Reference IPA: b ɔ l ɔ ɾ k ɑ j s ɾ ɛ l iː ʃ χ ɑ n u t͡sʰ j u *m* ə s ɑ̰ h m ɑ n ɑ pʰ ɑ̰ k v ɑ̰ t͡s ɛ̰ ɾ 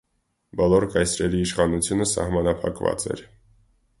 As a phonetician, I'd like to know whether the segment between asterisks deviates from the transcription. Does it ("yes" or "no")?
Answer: yes